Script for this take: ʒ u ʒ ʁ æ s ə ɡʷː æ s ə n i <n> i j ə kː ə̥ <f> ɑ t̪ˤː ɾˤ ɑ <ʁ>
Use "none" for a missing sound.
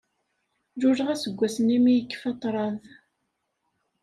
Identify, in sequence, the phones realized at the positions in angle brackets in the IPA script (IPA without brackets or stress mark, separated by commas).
m, f, ð